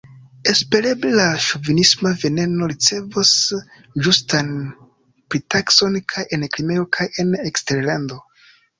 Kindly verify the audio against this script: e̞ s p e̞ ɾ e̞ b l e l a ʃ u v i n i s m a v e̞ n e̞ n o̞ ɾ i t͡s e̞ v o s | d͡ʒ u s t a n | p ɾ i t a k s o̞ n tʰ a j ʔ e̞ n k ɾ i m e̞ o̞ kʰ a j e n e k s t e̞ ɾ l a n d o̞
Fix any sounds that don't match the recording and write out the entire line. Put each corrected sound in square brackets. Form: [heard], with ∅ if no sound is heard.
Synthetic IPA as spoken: e̞ s p e̞ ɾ e̞ b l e l a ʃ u v i n i s m a v e̞ n e̞ n o̞ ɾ i t͡s e̞ v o s | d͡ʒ u s t a n | p ɾ i t a k s o̞ n [kʰ] a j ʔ e̞ n k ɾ i m e̞ o̞ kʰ a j e n e k s t e̞ ɾ l a n d o̞